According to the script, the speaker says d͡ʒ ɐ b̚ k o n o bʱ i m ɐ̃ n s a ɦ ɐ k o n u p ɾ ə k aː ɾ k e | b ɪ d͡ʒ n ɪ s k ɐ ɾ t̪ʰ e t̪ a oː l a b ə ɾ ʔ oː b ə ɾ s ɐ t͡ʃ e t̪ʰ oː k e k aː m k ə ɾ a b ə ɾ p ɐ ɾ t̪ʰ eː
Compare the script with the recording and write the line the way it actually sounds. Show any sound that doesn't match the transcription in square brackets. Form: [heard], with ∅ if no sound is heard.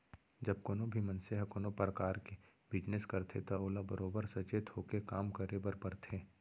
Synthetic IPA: d͡ʒ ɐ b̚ k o n o bʱ i m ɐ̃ n s [e] ɦ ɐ k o n [o] p ɾ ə k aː ɾ k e | b ɪ d͡ʒ n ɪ s k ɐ ɾ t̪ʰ e t̪ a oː l a b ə ɾ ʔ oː b ə ɾ s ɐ t͡ʃ e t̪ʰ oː k e k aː m k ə ɾ [e] b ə ɾ p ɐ ɾ t̪ʰ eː